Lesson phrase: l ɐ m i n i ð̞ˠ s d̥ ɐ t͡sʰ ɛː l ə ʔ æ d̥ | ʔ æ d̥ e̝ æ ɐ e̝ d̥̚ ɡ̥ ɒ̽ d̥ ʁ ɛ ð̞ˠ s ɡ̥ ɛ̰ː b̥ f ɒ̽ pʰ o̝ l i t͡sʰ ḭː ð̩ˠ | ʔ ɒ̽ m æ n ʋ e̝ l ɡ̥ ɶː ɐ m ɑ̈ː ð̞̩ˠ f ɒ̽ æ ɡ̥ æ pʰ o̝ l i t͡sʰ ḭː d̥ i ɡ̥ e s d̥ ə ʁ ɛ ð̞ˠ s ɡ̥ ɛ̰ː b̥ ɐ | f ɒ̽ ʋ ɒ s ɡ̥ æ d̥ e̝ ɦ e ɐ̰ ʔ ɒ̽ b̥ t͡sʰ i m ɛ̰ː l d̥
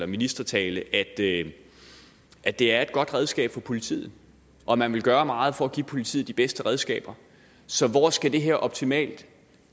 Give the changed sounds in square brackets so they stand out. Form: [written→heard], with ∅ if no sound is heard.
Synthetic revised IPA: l ɐ m i n i [ð̞ˠ→∅] s d̥ ɐ t͡sʰ ɛː l ə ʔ æ d̥ | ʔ æ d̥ e̝ æ ɐ e̝ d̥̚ ɡ̥ ɒ̽ d̥ ʁ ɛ ð̞ˠ s ɡ̥ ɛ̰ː b̥ f ɒ̽ pʰ o̝ l i t͡sʰ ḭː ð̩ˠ | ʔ ɒ̽ m æ n ʋ e̝ l ɡ̥ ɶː ɐ m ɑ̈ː ð̞̩ˠ f ɒ̽ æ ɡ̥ [æ→i] pʰ o̝ l i t͡sʰ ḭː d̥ i [ɡ̥→b̥] e s d̥ ə ʁ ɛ ð̞ˠ s ɡ̥ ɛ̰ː b̥ ɐ | [f→s] ɒ̽ ʋ ɒ s ɡ̥ æ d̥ e̝ ɦ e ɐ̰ ʔ ɒ̽ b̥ t͡sʰ i m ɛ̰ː l d̥